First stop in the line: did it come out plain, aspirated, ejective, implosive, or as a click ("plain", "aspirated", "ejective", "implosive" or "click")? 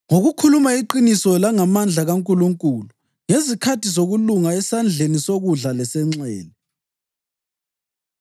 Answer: aspirated